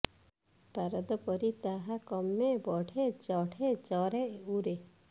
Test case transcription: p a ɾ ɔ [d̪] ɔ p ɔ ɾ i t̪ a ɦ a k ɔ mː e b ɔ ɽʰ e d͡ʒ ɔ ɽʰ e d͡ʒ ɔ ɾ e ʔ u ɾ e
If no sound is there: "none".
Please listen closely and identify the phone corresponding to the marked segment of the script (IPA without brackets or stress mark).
d̪